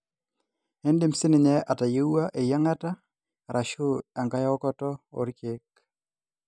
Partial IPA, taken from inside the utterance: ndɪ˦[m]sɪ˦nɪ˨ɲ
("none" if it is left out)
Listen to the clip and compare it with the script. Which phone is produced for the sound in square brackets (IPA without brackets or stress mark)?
m